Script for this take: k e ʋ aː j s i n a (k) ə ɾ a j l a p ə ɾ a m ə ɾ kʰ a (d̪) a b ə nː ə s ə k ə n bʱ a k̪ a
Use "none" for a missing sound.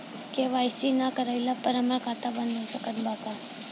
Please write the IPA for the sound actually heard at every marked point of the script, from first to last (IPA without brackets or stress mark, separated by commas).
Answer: k, t̪